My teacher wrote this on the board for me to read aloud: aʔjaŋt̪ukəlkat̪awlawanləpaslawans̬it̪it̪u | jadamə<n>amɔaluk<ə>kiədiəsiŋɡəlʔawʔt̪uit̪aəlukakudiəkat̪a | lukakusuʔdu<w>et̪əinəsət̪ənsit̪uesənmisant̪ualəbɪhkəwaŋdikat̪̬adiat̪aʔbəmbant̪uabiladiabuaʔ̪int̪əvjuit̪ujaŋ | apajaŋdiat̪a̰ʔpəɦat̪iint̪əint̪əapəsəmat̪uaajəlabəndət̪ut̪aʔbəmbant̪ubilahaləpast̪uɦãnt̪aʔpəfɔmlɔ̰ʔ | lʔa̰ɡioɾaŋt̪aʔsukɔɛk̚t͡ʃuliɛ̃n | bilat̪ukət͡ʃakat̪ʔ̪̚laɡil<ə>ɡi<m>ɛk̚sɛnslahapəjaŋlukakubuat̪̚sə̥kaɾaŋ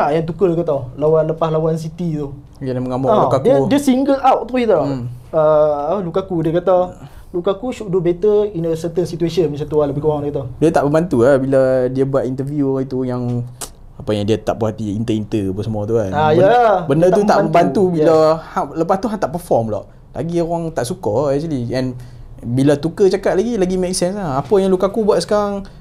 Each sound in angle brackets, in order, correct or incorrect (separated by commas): incorrect, incorrect, incorrect, incorrect, correct